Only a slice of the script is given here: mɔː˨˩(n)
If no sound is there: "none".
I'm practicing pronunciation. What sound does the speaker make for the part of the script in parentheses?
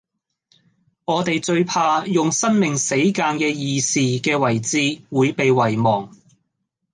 ŋ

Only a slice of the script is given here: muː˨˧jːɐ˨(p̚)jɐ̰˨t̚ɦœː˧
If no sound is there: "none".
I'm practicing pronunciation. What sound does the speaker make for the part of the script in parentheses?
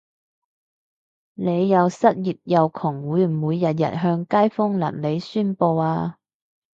t̚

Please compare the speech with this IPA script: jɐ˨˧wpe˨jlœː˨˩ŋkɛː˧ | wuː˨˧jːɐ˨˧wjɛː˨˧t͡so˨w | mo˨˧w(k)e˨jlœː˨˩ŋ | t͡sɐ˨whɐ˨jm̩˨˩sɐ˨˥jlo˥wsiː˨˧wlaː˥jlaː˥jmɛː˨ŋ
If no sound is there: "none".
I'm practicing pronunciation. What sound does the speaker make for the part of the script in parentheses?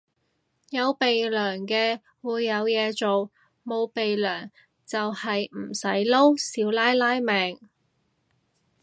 p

